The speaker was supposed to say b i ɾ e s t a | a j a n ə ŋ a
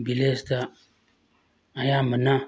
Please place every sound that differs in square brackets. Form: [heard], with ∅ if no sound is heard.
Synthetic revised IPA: b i [l] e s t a | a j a [m] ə [n] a